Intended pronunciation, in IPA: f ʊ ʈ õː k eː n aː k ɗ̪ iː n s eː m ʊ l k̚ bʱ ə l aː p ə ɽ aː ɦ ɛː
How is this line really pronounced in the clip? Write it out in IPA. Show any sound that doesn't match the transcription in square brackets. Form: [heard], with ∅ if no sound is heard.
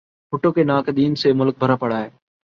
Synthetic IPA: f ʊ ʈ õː k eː n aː k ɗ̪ iː n s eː m ʊ l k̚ bʱ ə [ɾ] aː p ə ɽ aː ɦ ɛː